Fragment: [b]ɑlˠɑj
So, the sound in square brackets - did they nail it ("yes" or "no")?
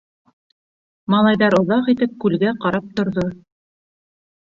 no